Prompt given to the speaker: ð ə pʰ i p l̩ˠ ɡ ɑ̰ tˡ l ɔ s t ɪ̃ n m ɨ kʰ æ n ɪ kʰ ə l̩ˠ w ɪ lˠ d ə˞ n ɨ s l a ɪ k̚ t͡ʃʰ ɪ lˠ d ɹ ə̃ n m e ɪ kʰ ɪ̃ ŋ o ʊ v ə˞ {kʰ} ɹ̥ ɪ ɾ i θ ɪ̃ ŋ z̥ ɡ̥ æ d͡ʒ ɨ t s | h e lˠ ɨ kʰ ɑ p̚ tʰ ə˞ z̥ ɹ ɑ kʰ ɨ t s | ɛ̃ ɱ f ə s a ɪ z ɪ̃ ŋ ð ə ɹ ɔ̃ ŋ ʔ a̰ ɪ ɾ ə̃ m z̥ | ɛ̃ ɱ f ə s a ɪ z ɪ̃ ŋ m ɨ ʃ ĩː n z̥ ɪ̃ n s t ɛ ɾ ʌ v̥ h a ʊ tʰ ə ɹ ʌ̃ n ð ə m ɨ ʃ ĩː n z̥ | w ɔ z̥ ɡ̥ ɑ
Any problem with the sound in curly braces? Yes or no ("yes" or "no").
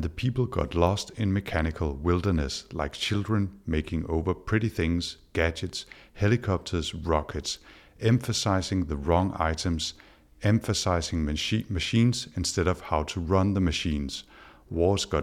yes